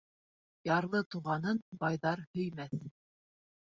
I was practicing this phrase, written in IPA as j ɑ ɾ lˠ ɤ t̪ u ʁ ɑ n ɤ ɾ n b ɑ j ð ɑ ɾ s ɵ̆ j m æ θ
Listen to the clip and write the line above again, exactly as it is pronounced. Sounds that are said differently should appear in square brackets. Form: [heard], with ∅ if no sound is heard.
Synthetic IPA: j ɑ ɾ lˠ ɤ t̪ u ʁ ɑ n ɤ [∅] n b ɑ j ð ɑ ɾ [h] ɵ̆ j m æ θ